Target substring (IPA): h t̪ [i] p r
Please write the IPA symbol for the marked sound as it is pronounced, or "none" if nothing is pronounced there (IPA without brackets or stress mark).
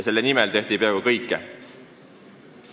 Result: i